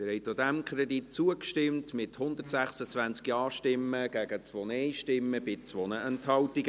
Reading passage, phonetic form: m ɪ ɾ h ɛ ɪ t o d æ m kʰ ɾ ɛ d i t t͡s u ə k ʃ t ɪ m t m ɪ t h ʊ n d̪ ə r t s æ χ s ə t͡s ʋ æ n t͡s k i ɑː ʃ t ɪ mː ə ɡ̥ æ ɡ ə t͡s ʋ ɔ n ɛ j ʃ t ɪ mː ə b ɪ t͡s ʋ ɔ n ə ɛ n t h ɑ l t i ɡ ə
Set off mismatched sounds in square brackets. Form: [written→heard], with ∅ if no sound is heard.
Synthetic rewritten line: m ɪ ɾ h ɛ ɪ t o d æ m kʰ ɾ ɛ d i t t͡s u ə k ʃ t ɪ m t m ɪ t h ʊ n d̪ ə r t s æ χ s ə t͡s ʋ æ n t͡s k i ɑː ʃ t ɪ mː ə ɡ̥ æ ɡ ə t͡s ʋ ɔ n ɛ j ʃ t ɪ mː ə b ɪ t͡s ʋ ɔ n ə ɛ n t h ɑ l t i ɡ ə